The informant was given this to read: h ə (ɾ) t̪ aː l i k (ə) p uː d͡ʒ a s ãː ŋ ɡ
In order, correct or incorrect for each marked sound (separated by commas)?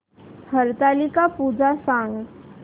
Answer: correct, incorrect